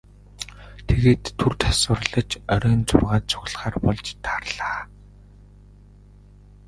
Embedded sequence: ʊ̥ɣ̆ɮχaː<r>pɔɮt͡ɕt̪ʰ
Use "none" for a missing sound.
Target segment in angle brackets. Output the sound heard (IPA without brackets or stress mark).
r